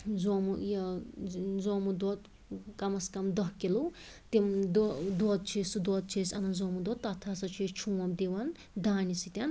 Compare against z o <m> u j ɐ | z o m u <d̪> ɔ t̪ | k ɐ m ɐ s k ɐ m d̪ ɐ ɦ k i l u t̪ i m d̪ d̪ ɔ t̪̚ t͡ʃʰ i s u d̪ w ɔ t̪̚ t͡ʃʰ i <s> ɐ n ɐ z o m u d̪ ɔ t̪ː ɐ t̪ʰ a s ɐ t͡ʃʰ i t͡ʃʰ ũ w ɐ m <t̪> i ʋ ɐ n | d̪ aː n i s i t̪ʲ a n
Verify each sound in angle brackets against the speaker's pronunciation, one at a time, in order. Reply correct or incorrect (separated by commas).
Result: correct, correct, correct, incorrect